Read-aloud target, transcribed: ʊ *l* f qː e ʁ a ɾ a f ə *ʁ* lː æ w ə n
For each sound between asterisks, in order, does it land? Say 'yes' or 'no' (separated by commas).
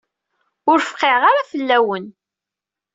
no, no